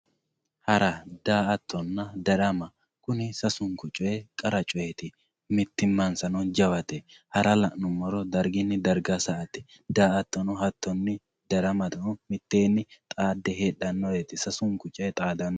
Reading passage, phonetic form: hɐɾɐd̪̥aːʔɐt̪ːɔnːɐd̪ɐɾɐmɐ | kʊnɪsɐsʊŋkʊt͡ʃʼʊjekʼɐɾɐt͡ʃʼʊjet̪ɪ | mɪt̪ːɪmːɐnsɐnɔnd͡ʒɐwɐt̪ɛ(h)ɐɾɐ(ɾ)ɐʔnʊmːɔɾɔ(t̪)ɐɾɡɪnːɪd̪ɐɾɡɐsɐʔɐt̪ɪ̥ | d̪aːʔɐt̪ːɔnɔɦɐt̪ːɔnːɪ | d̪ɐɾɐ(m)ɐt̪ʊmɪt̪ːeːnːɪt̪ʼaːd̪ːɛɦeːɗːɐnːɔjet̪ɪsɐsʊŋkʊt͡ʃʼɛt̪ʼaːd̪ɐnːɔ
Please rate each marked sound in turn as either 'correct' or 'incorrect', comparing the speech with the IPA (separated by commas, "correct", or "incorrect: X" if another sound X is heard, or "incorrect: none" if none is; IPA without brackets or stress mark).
correct, incorrect: l, incorrect: d̪, correct